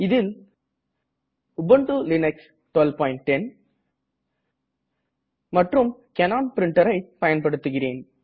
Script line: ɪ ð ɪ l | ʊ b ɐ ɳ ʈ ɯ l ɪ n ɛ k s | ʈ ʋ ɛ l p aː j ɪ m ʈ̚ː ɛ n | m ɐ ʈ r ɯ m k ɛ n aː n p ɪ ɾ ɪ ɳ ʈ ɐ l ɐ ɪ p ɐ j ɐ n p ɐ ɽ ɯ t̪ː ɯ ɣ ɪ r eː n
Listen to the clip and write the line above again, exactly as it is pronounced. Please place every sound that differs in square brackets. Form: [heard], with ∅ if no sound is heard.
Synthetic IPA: ɪ ð ɪ l | ʊ b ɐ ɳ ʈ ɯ l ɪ n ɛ k s | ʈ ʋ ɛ l p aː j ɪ [ɳ] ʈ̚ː ɛ n | m ɐ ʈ r ɯ m k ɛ n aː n p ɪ ɾ ɪ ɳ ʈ ɐ [ɾ] ɐ ɪ p ɐ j ɐ n p ɐ ɽ ɯ t̪ː ɯ ɣ ɪ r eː n